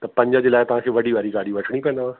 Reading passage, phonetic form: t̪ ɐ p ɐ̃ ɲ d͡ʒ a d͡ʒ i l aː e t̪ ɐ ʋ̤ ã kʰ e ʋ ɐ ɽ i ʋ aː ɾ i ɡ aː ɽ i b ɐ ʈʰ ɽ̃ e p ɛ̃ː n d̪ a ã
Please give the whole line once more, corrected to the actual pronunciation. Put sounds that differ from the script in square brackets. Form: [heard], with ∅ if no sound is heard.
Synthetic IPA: t̪ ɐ p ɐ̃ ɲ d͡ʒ a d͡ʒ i l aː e t̪ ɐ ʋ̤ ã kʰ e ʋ ɐ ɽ i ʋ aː ɾ i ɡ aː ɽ i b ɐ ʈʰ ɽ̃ [i] p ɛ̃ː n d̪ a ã